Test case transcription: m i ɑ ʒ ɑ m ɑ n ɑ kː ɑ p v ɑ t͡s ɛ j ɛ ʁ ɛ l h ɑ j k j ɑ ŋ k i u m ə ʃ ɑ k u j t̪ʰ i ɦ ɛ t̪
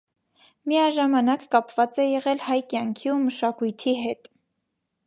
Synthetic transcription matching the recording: m i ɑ ʒ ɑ m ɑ n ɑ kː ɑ p v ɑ t͡s ɛ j ɛ ʁ ɛ l h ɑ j k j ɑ ŋ kʰ i u m ə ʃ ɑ k u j t̪ʰ i ɦ ɛ t̪